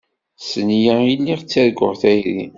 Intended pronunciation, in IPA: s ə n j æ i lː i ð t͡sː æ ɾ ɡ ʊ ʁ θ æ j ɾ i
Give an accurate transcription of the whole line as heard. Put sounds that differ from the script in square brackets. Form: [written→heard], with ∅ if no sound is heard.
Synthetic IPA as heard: s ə n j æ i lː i [ð→ʁ] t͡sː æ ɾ ɡ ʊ ʁ θ æ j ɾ i